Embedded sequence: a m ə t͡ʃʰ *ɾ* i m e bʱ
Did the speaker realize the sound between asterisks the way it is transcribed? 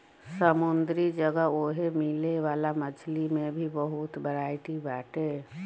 no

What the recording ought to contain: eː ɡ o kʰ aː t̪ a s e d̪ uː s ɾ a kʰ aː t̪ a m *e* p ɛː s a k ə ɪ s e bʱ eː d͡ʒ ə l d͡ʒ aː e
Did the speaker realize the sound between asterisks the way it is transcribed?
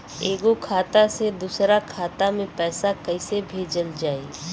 no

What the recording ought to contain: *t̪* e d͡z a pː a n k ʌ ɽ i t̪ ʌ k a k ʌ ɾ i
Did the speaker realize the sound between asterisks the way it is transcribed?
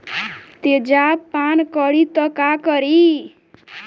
yes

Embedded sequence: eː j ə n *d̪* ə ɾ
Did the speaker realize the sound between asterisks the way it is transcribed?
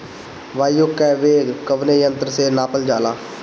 no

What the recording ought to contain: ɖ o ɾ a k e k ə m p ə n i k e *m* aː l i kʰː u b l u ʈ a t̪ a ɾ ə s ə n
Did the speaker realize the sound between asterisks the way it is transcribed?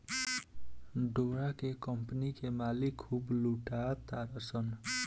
yes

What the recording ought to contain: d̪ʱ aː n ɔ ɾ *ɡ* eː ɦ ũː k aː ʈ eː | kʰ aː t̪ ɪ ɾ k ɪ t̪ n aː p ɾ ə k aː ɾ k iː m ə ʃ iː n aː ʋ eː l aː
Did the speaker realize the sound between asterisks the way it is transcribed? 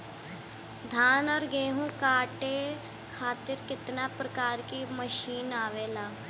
yes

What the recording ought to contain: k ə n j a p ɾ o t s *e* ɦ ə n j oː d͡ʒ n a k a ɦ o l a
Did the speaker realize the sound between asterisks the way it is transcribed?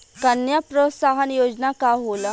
no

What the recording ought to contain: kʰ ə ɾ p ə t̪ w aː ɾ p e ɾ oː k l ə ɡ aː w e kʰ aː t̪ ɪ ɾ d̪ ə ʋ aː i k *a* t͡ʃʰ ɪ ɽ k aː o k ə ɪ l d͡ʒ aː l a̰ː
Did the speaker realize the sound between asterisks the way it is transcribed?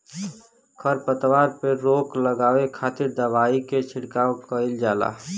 no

